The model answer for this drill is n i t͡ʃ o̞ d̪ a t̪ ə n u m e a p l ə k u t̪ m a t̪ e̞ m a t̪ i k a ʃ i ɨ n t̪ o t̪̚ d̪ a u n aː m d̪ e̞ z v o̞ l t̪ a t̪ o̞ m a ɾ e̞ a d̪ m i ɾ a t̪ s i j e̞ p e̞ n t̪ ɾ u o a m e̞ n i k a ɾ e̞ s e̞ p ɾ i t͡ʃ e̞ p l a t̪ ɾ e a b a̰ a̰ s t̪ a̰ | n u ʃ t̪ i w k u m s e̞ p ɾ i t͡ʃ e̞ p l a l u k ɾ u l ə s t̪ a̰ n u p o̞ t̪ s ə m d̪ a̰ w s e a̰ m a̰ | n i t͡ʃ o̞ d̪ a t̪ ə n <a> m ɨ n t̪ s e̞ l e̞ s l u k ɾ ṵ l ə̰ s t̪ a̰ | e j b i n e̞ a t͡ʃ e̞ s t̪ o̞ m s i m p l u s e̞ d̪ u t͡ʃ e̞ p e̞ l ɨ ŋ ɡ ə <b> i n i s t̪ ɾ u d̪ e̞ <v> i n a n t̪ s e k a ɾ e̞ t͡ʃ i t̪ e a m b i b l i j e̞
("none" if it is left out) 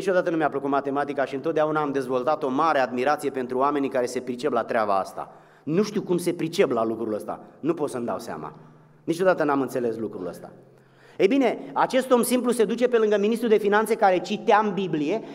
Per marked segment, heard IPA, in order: a, m, f

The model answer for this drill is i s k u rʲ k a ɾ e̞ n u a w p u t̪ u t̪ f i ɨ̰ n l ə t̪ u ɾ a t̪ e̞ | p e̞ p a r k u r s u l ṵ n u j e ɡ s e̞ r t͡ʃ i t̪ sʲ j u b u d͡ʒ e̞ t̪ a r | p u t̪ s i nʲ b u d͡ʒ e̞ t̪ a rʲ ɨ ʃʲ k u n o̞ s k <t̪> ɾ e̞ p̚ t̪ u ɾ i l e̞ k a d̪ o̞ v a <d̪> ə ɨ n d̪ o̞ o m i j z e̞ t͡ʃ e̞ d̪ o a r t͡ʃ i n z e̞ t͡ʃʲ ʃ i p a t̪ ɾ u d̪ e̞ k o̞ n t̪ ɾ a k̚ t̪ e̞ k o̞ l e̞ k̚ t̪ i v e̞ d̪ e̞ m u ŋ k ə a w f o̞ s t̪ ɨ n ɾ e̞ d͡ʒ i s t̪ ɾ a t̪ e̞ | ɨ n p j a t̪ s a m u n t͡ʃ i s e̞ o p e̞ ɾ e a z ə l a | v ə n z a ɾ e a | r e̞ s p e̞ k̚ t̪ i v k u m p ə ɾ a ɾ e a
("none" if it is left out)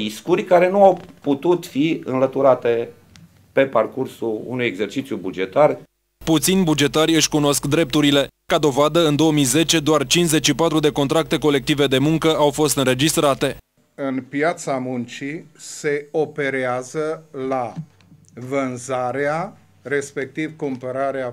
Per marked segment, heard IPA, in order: d̪, d̪

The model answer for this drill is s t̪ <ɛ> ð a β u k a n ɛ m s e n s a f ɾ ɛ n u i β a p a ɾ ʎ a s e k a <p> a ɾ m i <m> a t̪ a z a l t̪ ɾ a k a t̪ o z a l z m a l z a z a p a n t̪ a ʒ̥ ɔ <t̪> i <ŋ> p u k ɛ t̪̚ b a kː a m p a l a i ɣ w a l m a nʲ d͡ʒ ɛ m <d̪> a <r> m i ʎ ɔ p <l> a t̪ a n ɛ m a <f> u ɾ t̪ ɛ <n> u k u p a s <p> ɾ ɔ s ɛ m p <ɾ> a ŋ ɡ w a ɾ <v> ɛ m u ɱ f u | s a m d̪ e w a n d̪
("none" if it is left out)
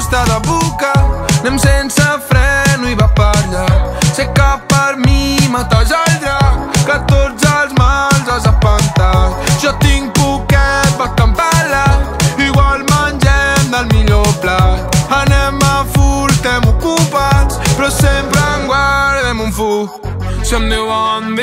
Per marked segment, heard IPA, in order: a, p, m, t̪, ŋ, d̪, l, l, f, m, p, ɾ, ð

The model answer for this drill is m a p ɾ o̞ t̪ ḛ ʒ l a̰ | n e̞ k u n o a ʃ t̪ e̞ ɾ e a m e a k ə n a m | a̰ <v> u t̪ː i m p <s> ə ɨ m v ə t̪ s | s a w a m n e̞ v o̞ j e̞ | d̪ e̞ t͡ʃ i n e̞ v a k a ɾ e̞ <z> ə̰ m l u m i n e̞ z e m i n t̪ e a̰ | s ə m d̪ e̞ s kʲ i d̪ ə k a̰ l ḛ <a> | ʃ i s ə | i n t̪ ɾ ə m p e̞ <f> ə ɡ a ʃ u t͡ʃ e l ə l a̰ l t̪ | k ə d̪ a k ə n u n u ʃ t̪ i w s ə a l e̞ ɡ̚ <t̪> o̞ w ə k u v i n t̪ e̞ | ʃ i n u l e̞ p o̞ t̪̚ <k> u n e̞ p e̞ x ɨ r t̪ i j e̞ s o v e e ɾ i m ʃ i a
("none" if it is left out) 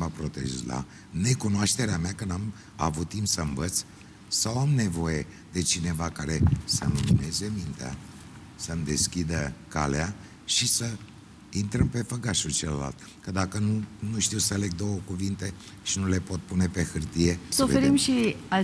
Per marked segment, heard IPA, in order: v, s, s, a, f, d̪, p

